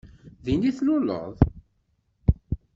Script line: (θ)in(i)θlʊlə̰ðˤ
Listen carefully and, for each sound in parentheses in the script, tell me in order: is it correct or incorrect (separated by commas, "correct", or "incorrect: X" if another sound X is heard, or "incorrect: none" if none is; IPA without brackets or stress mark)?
incorrect: ð, correct